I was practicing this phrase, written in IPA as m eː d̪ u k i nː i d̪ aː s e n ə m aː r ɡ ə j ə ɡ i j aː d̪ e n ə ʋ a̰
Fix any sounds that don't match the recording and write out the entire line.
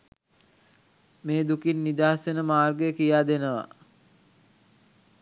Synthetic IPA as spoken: m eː d̪ u k i nː i d̪ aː s e n ə m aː r ɡ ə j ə k i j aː d̪ e n ə ʋ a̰